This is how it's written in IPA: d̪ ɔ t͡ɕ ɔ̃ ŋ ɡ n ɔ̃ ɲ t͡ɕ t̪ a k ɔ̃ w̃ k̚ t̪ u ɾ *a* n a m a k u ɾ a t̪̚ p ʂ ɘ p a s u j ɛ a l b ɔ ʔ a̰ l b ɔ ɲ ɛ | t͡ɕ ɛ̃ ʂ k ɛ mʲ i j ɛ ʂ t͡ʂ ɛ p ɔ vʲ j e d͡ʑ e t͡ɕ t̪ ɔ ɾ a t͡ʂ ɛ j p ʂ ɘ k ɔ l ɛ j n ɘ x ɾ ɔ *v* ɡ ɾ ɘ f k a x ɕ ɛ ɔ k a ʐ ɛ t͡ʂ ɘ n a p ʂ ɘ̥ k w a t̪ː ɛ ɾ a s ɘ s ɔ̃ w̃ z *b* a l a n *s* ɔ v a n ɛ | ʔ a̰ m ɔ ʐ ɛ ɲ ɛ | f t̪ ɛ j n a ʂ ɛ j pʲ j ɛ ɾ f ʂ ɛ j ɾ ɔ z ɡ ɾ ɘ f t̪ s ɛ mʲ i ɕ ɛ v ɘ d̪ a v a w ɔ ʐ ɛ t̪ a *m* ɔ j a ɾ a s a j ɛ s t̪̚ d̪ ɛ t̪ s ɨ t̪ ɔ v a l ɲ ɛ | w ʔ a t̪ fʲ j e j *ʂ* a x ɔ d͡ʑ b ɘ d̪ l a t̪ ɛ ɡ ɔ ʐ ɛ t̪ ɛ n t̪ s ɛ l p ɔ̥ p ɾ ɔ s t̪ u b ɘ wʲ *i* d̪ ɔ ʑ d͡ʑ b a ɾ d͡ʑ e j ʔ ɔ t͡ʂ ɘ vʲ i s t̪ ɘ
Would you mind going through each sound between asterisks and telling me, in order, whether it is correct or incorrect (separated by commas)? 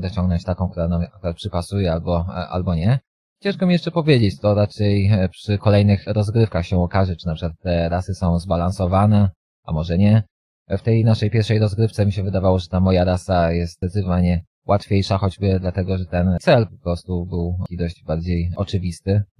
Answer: correct, incorrect, correct, correct, correct, correct, correct